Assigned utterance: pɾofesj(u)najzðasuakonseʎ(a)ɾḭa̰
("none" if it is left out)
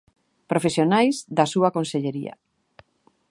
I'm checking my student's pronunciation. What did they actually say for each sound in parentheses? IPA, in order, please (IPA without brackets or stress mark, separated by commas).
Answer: o, e